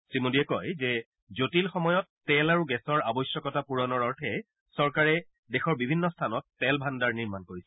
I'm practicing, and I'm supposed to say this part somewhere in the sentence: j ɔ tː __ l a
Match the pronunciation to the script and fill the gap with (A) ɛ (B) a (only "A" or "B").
A